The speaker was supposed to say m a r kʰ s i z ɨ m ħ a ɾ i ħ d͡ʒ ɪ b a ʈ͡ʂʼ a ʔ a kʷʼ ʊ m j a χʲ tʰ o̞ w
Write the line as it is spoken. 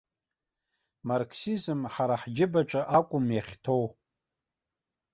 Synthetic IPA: m a r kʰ s i z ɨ m ħ a ɾ a ħ d͡ʒ ɪ b a ʈ͡ʂʼ a ʔ a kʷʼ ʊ m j a χʲ tʰ o̞ w